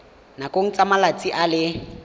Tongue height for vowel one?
low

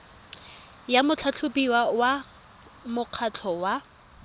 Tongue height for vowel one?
low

